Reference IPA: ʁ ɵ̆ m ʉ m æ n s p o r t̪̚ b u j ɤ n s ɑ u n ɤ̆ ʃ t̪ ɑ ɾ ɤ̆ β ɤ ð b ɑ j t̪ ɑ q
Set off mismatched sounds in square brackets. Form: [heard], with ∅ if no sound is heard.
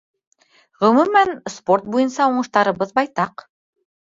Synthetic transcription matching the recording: ʁ ɵ̆ m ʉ m æ n s p o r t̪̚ b u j ɤ n s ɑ u [ɴ] ɤ̆ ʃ t̪ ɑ ɾ ɤ̆ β ɤ ð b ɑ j t̪ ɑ q